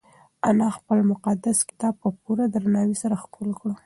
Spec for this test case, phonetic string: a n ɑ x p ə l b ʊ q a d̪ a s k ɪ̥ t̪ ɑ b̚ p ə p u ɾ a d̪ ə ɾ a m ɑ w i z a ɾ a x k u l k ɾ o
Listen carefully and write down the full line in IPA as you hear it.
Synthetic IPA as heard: a n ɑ x p ə l m ʊ q a d̪ a s k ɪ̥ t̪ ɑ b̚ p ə p u ɾ a d̪ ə ɾ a n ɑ w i s a ɾ a x k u l k ɽ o